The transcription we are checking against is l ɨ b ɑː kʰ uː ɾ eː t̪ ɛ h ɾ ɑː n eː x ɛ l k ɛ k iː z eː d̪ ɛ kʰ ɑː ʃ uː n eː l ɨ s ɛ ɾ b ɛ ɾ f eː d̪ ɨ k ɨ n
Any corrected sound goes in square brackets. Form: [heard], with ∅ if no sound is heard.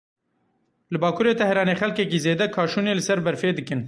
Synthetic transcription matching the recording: l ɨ b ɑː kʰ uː ɾ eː t̪ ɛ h ɾ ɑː n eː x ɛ l k ɛ k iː z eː d̪ ɛ kʰ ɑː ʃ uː n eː l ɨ s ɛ ɾ b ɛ ɾ f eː d̪ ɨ k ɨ n